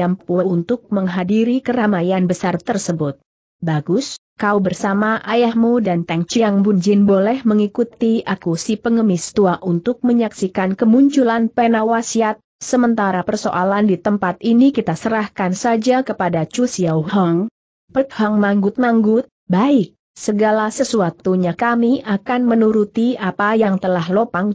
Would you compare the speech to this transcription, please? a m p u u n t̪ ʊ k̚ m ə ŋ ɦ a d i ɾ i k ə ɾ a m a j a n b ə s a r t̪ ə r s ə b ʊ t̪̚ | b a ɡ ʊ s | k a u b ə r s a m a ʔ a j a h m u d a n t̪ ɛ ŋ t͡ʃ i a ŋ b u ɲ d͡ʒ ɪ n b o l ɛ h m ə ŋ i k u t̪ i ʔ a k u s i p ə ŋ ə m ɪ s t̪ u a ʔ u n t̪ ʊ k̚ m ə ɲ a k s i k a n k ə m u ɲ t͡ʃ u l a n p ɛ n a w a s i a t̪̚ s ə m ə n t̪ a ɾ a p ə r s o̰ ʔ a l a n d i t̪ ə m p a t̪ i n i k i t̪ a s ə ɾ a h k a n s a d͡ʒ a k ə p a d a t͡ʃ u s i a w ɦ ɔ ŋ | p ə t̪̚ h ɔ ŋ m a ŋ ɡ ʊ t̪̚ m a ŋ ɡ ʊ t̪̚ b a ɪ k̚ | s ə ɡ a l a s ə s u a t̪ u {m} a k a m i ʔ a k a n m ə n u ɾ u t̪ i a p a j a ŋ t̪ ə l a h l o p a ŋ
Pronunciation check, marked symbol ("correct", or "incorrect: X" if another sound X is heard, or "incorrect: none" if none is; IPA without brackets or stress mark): incorrect: ɲ